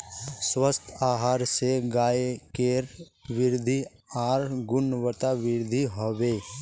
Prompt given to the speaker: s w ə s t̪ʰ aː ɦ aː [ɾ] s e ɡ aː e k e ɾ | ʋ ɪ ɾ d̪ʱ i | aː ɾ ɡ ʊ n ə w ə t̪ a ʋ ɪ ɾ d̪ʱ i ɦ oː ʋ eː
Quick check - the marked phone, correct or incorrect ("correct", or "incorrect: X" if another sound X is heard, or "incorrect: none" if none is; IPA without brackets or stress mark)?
correct